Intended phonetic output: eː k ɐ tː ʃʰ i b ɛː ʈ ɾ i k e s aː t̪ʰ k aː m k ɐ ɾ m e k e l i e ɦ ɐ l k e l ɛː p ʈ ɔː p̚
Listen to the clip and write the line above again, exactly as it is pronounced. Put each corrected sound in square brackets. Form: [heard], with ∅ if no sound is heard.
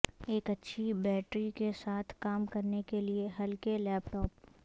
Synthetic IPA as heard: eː k ɐ tː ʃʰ i b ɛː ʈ ɾ i k e s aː t̪ʰ k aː m k ɐ ɾ [n] e k e l i e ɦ ɐ l k e l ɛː p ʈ ɔː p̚